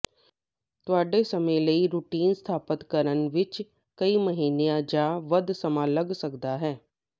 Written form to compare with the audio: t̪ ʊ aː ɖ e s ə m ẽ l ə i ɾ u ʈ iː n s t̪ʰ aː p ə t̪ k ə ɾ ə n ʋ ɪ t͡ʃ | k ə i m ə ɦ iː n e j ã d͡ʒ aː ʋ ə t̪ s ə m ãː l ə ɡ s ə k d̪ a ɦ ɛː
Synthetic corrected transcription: t̪ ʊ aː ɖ e s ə m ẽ l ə i ɾ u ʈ iː n s t̪ʰ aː p ə t̪ k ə ɾ ə n ʋ ɪ t͡ʃ | k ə i m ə ɦ iː n e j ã d͡ʒ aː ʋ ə d̪ s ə m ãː l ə ɡ s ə k d̪ a ɦ ɛː